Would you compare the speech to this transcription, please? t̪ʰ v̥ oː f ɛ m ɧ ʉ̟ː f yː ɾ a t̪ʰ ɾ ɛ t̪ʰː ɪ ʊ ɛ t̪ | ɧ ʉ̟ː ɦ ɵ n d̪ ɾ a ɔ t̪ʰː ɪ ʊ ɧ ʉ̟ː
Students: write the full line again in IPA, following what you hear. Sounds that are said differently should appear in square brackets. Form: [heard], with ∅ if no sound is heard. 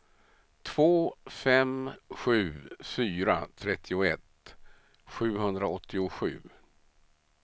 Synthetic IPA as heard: t̪ʰ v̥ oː f ɛ m ɧ ʉ̟ː f yː ɾ a t̪ʰ ɾ ɛ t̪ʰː ɪ ʊ ɛ t̪ | ɧ ʉ̟ː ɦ ɵ n d̪ ɾ a ɔ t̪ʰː ɪ ʊ ɧ ʉ̟ː